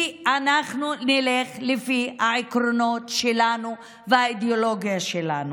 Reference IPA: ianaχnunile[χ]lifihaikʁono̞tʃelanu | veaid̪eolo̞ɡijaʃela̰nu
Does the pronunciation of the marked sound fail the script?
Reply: no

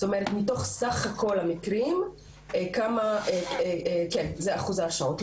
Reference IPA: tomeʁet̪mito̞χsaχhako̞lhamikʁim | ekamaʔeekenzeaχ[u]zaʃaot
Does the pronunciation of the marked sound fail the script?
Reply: no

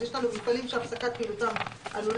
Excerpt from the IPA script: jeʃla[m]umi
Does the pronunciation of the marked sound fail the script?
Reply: yes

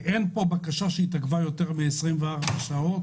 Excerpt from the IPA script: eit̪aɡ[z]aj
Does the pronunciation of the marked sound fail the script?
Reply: yes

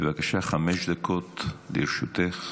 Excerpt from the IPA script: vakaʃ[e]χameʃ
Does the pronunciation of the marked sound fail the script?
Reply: yes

